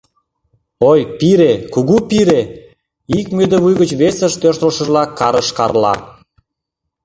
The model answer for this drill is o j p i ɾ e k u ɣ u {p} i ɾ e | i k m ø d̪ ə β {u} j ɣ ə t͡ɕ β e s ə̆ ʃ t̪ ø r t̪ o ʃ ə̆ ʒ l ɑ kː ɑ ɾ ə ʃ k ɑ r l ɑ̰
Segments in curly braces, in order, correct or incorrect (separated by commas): correct, correct